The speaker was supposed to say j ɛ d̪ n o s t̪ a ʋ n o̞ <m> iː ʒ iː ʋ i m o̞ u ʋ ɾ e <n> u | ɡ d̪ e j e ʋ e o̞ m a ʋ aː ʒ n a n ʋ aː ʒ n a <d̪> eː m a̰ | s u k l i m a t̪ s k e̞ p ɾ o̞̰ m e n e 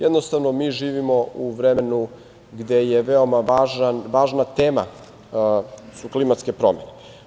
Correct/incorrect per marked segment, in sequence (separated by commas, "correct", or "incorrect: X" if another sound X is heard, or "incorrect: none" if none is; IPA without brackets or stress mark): correct, correct, incorrect: t̪